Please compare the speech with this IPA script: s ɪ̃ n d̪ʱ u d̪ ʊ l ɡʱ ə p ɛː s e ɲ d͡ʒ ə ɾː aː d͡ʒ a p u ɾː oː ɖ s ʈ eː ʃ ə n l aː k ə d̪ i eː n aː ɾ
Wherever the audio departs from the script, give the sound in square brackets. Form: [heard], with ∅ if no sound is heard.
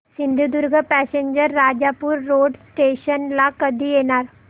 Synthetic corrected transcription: s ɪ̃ n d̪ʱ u d̪ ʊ [ɾ] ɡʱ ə p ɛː s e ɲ d͡ʒ ə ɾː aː d͡ʒ a p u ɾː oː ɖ s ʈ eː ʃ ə n l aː k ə d̪ i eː n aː ɾ